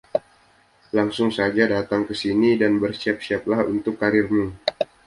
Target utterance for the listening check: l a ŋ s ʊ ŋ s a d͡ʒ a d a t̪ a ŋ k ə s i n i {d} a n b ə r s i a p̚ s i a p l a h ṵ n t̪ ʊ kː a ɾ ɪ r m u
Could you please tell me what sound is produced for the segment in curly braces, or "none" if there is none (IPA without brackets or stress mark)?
d